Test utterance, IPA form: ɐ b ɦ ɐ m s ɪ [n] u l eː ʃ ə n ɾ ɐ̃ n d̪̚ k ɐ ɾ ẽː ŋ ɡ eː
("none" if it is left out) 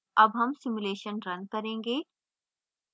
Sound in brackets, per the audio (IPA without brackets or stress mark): m